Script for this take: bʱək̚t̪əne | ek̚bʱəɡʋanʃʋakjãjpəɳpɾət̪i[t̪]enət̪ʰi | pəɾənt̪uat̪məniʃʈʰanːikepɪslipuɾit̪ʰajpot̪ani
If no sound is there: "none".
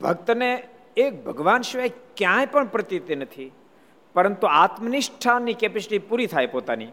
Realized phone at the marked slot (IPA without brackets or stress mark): t̪